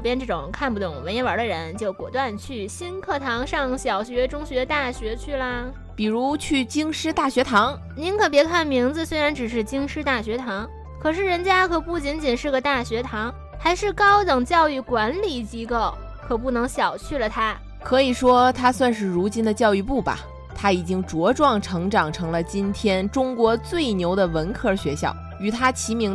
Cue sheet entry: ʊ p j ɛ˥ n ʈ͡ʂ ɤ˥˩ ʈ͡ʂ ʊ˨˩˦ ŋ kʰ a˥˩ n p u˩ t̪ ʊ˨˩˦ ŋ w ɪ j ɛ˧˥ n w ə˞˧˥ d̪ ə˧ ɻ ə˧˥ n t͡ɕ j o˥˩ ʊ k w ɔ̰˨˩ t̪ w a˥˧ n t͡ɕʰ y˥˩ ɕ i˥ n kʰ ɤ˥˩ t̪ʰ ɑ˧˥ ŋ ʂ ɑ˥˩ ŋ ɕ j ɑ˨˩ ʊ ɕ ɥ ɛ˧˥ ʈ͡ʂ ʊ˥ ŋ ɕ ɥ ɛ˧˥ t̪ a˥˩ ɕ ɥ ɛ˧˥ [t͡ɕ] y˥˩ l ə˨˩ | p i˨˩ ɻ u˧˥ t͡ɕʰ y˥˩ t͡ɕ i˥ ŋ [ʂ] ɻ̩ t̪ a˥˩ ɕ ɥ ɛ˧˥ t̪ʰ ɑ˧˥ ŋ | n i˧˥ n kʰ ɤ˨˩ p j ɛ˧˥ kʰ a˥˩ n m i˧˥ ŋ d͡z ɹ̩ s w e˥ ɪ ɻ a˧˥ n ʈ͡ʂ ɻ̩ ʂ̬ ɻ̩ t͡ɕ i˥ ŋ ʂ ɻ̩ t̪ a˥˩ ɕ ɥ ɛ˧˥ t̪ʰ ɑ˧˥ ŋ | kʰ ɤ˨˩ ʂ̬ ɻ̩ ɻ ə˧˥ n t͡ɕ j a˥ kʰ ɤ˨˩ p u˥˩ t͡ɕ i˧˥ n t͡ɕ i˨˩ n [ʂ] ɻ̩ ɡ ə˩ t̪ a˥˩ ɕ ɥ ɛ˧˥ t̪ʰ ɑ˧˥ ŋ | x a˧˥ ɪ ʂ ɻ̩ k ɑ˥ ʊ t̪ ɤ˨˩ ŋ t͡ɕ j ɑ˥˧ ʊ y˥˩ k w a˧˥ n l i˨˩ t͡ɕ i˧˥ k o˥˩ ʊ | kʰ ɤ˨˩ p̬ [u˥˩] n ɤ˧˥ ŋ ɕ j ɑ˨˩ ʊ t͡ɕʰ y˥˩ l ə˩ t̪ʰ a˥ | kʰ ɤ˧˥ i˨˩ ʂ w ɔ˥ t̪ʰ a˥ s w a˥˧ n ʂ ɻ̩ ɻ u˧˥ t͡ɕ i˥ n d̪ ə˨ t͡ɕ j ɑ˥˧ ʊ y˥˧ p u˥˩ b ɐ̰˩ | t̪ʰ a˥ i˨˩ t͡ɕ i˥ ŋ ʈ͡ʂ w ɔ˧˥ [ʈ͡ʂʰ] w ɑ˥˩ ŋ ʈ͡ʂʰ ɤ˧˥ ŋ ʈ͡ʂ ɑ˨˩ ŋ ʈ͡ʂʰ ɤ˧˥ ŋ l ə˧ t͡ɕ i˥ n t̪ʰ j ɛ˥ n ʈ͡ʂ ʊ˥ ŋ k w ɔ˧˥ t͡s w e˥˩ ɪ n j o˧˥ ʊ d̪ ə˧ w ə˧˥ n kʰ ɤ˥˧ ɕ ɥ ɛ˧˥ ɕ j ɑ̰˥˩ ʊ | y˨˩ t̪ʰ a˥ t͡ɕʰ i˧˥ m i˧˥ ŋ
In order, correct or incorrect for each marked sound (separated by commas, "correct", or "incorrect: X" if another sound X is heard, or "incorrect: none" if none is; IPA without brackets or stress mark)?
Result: incorrect: t͡ɕʰ, correct, correct, correct, incorrect: ʈ͡ʂ